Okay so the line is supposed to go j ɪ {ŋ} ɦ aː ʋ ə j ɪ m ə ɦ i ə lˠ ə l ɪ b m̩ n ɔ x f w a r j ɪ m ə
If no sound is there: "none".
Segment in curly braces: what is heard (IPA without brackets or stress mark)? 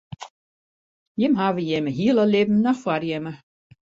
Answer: m